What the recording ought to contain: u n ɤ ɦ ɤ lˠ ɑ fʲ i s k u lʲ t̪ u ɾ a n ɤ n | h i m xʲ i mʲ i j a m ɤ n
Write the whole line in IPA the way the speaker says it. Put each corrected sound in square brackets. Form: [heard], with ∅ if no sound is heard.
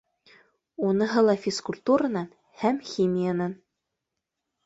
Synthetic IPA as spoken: u n ɤ ɦ ɤ lˠ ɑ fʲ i s k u lʲ t̪ u ɾ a n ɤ n | h [æ] m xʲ i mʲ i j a [n] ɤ n